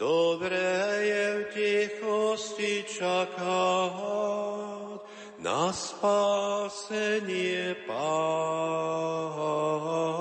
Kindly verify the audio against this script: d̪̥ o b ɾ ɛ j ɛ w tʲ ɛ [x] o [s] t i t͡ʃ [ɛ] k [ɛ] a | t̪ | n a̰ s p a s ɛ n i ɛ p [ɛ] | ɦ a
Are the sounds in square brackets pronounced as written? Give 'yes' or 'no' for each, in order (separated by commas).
yes, yes, no, no, no